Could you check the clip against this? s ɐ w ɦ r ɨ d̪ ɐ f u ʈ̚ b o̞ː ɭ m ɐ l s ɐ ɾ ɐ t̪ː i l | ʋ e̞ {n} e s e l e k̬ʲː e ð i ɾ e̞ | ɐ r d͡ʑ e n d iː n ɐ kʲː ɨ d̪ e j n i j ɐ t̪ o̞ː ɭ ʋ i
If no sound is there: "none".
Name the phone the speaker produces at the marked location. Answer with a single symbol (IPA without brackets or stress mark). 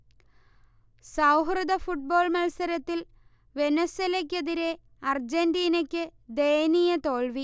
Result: n